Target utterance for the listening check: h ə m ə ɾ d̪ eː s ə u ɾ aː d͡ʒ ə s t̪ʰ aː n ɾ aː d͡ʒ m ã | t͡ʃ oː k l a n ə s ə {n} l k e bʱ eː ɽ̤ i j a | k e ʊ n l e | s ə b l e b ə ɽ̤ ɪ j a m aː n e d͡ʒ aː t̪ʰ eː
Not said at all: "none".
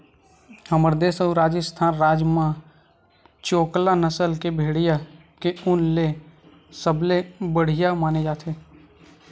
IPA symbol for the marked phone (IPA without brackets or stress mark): none